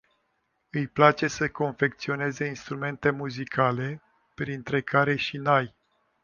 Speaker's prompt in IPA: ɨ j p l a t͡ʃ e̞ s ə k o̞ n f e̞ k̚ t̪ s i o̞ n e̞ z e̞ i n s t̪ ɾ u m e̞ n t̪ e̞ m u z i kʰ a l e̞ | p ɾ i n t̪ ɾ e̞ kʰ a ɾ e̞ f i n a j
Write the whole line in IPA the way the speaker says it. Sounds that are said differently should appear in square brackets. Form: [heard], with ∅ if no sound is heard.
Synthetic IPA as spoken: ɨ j p l a t͡ʃ e̞ s ə k o̞ n f e̞ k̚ t̪ s i o̞ n e̞ z e̞ i n s t̪ ɾ u m e̞ n t̪ e̞ m u z i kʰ a l e̞ | p ɾ i n t̪ ɾ e̞ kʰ a ɾ e̞ [ʃ] i n a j